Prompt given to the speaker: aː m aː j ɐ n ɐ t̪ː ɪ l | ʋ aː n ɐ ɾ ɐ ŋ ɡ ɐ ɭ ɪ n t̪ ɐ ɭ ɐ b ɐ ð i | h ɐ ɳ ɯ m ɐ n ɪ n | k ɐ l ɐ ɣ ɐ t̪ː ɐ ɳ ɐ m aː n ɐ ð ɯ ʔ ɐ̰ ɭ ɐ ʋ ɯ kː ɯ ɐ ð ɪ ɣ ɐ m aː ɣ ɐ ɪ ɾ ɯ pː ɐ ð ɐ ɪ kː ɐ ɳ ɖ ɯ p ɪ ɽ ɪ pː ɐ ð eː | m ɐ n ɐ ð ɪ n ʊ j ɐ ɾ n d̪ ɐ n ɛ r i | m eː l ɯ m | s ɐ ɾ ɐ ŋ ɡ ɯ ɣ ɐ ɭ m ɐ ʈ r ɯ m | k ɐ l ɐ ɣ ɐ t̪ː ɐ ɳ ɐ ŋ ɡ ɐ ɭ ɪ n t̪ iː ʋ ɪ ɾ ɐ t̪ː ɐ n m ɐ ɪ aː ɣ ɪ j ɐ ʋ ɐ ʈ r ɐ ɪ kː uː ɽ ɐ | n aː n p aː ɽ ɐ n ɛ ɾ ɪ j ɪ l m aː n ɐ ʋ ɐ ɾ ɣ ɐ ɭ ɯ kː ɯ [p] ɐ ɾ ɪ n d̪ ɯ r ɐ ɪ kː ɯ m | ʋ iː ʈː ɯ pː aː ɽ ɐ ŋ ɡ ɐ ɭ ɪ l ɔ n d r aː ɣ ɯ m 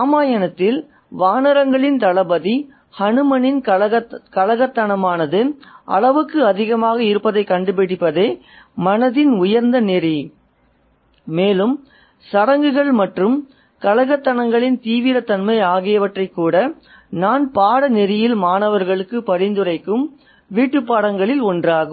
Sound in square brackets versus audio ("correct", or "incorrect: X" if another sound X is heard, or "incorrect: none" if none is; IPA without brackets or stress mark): correct